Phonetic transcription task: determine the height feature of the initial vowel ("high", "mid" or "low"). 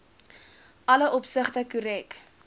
low